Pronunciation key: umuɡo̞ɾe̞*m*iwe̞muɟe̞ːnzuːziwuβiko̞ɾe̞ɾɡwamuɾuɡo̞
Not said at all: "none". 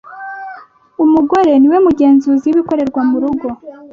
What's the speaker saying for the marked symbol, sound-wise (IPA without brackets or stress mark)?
n